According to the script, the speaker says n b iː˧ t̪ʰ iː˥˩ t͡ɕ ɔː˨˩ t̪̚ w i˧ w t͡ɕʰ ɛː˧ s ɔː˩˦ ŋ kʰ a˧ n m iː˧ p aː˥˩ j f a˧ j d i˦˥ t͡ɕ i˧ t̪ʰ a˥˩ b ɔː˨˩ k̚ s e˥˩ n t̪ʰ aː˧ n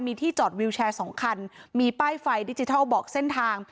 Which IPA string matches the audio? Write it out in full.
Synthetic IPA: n m iː˧ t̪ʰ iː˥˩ t͡ɕ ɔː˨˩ t̪̚ w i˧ w t͡ɕʰ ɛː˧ s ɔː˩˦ ŋ kʰ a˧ n m iː˧ p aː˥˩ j f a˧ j d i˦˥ t͡ɕ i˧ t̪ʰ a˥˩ b ɔː˨˩ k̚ s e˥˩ n t̪ʰ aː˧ ŋ

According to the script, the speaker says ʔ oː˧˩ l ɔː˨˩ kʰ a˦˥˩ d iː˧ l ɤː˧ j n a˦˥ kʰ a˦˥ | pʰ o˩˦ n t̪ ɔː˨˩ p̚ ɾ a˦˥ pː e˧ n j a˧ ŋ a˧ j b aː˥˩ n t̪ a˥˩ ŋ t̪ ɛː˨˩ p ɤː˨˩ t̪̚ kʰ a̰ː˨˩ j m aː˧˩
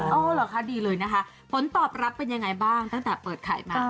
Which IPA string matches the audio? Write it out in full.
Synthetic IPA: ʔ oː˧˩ l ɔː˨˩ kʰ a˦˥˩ d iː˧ l ɤː˧ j n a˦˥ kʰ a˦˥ | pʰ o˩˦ n t̪ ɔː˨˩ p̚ ɾ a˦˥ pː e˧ n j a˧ ŋ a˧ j b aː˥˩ ŋ t̪ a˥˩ ŋ t̪ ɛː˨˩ p ɤː˨˩ t̪̚ kʰ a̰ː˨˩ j m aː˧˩

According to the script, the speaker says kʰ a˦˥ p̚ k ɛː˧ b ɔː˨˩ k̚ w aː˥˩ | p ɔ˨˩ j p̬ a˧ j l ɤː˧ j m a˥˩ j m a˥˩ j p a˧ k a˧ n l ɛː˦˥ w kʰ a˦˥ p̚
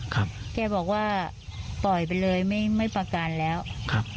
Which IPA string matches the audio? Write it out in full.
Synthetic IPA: kʰ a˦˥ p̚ k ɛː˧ b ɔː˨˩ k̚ w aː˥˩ | p ɔ˨˩ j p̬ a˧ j l ɤː˧ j m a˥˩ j m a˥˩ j p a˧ k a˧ n l ɛː˦˥ w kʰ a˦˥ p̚

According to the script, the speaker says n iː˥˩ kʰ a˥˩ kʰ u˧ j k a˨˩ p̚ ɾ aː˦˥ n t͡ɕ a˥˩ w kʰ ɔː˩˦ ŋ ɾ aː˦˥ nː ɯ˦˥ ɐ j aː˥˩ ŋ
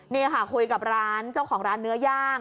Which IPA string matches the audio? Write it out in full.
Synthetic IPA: n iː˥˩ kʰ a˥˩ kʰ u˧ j k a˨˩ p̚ ɾ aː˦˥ n t͡ɕ a˥˩ w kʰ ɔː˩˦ ŋ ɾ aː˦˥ nː ɯ˦˥ ɐ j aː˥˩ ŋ

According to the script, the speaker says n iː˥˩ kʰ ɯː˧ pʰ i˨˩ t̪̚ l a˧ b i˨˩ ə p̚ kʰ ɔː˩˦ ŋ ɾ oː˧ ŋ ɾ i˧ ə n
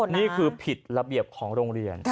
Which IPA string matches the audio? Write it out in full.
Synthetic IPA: n iː˥˩ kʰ ɯː˧ pʰ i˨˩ t̪̚ ɾ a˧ b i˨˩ ə p̚ kʰ ɔː˩˦ ŋ ɾ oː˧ ŋ ɾ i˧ ə n

